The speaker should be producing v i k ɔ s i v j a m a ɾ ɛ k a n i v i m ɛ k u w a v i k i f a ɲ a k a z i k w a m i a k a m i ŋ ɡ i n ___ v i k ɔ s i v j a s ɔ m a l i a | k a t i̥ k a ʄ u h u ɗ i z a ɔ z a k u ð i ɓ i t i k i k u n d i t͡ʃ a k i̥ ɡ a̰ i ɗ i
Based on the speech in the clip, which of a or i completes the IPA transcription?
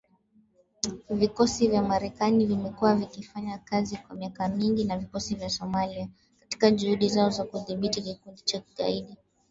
a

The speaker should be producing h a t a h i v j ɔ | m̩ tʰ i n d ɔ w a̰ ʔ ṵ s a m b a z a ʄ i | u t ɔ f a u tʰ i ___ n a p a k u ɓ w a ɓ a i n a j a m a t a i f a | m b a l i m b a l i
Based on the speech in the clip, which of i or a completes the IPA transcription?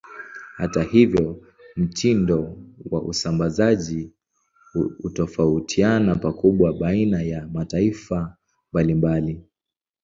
a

